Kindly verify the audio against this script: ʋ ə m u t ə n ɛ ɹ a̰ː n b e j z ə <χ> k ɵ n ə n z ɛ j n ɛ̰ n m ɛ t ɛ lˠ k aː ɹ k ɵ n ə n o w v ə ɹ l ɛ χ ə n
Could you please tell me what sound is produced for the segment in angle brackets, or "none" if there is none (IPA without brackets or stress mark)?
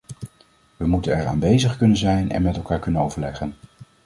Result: χ